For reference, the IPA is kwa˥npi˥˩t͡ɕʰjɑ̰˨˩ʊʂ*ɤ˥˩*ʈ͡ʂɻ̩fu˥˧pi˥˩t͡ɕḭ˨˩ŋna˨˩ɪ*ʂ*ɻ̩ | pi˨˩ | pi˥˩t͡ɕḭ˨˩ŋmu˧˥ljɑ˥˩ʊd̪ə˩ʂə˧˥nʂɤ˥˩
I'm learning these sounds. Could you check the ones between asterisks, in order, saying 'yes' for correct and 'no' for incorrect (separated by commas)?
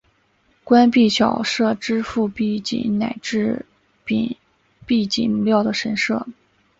yes, no